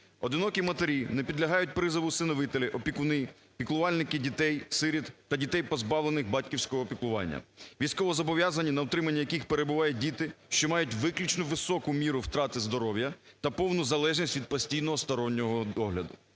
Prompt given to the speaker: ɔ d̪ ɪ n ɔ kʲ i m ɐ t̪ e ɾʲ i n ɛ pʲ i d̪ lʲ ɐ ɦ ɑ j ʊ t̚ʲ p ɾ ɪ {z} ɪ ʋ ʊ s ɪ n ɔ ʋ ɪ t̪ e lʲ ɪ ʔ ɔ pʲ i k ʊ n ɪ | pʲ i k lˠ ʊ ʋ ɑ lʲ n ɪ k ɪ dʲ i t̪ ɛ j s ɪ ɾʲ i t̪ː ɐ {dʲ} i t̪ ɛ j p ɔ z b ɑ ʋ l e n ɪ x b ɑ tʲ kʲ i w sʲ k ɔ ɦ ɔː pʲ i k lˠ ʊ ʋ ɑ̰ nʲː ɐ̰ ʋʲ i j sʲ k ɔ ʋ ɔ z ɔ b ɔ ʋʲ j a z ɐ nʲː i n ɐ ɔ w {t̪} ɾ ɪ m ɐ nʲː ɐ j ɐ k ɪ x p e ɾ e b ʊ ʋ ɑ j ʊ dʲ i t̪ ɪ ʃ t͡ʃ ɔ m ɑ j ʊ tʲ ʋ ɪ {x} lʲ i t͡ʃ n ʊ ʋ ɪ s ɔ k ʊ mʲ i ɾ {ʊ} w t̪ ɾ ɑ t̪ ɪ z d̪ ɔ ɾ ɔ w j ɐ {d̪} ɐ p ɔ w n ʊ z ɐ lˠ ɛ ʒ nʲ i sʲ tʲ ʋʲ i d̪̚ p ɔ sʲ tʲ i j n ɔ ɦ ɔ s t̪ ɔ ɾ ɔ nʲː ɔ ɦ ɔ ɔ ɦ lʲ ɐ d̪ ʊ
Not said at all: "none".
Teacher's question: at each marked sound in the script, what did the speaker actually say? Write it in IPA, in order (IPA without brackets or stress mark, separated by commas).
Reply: z, dʲ, t̪, k, ʊ, t̪